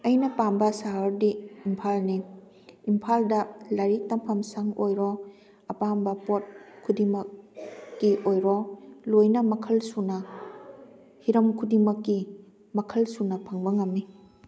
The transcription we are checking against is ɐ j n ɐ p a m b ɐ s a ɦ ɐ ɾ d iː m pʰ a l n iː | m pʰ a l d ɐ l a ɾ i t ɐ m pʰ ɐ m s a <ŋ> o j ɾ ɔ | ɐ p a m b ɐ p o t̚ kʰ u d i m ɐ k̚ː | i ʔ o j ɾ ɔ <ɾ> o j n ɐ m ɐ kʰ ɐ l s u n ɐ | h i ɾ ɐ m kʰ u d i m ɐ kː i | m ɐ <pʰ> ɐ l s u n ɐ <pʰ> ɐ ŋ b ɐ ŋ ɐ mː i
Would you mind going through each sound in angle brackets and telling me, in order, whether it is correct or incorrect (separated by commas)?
correct, incorrect, incorrect, correct